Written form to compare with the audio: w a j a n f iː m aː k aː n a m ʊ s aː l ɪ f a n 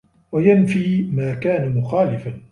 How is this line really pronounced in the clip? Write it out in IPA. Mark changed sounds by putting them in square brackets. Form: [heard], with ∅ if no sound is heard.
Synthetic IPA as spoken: w a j a n f iː m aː k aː n a m ʊ [x] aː l ɪ f a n